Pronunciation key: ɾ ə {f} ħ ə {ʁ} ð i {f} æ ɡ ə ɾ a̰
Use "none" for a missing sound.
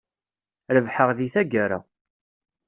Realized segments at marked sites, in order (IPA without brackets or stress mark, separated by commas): v, ʁ, θ